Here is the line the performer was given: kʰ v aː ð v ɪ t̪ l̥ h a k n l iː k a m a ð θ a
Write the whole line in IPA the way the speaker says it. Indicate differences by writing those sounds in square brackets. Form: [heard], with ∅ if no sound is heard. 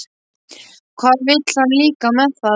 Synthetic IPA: kʰ v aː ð v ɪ t̪ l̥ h a [∅] n l iː k a m [ɛ] ð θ a